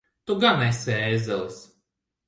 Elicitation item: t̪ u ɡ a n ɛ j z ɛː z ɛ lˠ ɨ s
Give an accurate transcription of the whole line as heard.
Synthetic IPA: t̪ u ɡ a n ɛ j s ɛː z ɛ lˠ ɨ s